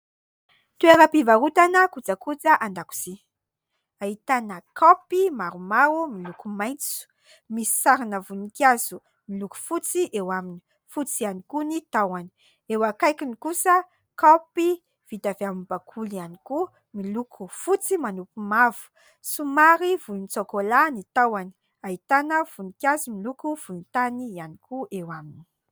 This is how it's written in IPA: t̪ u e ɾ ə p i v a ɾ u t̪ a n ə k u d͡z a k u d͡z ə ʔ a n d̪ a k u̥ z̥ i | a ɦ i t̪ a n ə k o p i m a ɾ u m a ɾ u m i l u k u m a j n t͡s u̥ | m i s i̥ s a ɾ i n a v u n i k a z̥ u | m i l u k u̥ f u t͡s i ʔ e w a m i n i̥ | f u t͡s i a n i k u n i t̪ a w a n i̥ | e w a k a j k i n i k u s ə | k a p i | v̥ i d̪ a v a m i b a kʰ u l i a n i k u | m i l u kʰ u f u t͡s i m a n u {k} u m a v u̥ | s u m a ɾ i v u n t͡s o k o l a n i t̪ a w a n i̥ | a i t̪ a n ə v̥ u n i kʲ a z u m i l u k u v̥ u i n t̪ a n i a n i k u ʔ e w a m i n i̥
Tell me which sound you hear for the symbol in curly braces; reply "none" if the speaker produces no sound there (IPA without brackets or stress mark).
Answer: p